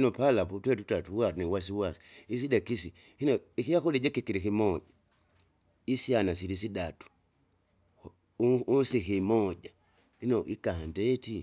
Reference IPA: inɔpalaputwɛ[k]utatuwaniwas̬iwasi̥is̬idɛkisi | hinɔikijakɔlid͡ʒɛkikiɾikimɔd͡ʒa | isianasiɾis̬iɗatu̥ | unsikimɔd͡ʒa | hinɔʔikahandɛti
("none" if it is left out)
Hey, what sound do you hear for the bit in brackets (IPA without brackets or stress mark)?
t